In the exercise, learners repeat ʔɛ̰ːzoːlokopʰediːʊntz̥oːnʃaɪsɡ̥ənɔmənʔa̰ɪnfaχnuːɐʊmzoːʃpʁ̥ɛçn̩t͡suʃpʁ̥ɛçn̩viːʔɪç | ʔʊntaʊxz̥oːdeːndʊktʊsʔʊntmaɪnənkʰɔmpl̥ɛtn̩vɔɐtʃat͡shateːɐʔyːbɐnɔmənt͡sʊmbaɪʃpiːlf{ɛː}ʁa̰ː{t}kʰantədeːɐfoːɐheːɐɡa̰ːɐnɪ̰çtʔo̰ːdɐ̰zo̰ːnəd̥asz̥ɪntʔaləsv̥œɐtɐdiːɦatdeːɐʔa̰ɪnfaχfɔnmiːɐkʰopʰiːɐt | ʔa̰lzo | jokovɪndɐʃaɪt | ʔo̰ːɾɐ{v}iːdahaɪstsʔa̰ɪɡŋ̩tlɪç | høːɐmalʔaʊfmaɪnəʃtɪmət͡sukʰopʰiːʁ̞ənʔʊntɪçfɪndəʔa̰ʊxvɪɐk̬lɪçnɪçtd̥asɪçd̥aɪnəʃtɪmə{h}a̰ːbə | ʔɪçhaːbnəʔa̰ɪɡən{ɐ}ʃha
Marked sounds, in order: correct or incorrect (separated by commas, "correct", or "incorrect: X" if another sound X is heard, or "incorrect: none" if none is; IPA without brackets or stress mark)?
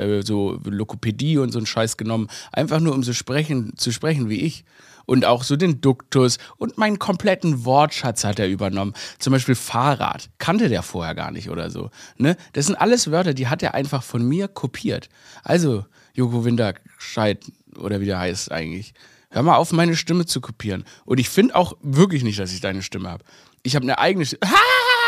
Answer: incorrect: aː, correct, correct, correct, incorrect: ə